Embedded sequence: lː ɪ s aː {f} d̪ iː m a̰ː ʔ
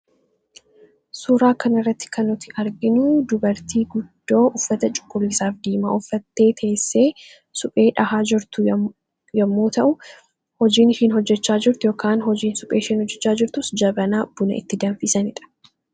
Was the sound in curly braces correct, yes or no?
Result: yes